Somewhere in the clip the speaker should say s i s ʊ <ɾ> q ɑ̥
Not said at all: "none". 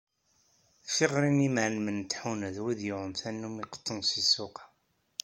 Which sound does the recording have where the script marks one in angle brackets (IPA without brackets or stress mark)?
none